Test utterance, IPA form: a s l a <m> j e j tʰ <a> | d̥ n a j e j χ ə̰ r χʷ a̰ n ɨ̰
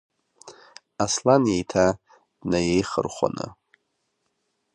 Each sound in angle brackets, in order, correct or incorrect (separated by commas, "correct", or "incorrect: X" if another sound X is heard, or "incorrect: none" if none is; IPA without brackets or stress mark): incorrect: n, correct